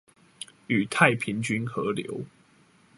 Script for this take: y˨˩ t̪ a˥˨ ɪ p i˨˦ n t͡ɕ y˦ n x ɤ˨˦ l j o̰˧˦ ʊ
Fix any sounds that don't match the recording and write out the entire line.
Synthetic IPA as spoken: y˨˩ t̪ʰ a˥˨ ɪ pʰ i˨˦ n t͡ɕ y˦ n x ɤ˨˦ l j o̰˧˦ ʊ